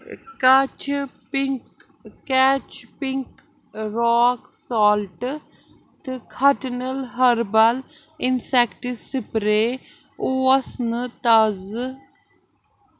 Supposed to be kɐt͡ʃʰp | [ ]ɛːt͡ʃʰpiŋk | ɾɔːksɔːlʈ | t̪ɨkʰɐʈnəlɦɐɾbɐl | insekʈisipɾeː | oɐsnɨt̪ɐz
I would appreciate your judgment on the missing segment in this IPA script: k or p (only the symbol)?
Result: k